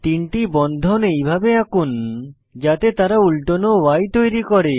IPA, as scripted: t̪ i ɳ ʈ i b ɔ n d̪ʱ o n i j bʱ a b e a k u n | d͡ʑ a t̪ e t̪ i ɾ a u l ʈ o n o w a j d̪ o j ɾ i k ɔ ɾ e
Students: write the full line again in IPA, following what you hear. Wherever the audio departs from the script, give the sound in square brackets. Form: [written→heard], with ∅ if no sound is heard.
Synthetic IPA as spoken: t̪ i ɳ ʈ i b ɔ n d̪ʱ o n [i→e] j bʱ a b e a k u n | d͡ʑ a t̪ e t̪ [i→a] ɾ a u l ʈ o n o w a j [d̪→t̪] o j ɾ i k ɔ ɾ e